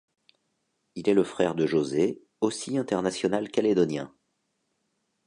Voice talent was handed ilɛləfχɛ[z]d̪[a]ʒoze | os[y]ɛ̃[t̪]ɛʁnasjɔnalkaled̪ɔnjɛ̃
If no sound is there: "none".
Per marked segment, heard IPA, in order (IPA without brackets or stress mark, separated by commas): ʁ, ə, i, t̪